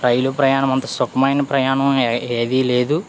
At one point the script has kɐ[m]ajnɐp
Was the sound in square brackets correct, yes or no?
yes